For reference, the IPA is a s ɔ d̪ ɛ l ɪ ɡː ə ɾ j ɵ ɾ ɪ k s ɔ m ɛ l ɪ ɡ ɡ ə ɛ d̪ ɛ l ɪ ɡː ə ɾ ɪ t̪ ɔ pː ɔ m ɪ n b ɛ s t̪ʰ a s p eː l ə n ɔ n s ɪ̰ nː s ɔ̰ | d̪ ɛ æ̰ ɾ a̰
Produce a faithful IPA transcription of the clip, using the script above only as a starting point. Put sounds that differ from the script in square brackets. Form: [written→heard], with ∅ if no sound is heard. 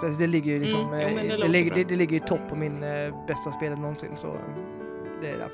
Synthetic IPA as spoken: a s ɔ d̪ ɛ l ɪ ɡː ə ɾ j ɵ [ɾ→l] ɪ k s ɔ m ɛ l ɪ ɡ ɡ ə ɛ d̪ ɛ l ɪ ɡː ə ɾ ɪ [t̪→t̪ʰ] ɔ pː ɔ m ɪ n b ɛ s [t̪ʰ→t̪] a s p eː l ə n ɔ n s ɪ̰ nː s ɔ̰ | d̪ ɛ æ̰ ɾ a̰